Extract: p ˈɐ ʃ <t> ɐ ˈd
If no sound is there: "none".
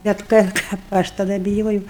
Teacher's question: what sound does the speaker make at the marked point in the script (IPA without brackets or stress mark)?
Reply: t